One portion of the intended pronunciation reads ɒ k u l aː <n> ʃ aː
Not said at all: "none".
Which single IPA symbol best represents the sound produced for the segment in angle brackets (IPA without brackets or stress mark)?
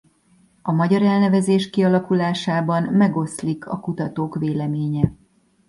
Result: none